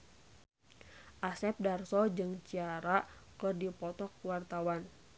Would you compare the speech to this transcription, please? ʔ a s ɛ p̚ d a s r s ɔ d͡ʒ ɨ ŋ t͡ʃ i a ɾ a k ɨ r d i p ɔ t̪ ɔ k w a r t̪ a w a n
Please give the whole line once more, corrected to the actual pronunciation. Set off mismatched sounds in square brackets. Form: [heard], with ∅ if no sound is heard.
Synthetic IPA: ʔ a s ɛ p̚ d a [∅] r s ɔ d͡ʒ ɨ ŋ t͡ʃ i a ɾ a k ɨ r d i p ɔ t̪ ɔ k w a r t̪ a w a n